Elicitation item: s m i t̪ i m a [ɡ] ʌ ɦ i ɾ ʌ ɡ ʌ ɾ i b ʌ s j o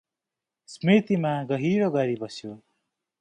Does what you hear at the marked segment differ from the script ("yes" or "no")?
no